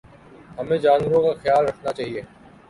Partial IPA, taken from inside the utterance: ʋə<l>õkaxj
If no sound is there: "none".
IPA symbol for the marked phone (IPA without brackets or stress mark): ɾ